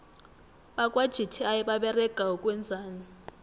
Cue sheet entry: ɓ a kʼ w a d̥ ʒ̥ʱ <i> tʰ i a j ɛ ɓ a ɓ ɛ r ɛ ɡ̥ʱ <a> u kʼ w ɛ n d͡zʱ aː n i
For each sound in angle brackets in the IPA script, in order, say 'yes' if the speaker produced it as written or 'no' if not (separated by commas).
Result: yes, yes